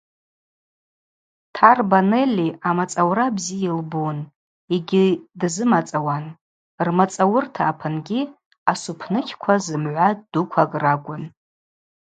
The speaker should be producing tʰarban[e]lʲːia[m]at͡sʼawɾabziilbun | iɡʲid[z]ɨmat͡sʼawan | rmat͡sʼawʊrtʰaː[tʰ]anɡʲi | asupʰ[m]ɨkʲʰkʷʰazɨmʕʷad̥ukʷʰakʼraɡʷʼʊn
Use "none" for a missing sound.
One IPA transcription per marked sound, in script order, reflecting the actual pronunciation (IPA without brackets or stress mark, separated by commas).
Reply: e, m, z, pʰ, n